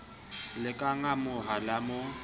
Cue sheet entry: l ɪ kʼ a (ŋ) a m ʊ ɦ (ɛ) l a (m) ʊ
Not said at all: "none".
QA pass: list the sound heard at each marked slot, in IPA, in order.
ŋ, a, m

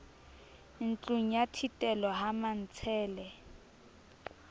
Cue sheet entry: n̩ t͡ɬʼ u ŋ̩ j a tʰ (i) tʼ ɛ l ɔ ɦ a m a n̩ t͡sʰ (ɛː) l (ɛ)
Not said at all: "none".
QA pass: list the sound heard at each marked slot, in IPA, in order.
i, ɛː, ɛ

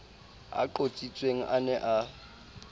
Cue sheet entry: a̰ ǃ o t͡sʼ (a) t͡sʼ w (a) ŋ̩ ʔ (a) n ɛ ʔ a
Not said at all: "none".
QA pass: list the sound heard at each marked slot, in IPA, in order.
i, e, a

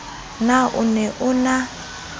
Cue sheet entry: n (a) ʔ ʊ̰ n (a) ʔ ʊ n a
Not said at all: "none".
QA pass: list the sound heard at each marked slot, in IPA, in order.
a, ɛ

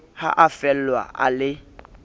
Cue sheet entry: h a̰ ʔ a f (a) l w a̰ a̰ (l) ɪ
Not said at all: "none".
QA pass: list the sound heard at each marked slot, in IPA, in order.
ɛ, l

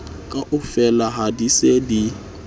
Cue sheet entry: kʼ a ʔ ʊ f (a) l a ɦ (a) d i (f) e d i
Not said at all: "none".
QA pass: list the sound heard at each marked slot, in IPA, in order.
ɛ, a, s

